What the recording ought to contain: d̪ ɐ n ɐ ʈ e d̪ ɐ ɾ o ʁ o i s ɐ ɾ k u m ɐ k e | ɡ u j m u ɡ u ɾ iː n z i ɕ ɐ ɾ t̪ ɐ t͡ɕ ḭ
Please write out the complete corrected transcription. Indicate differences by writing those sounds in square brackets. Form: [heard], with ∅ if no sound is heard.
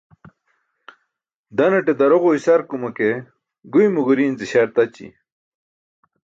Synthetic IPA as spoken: d̪ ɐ n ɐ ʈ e d̪ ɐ ɾ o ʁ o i s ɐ ɾ k u m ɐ k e | ɡ u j m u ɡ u ɾ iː n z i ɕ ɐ ɾ t̪ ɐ t͡ɕ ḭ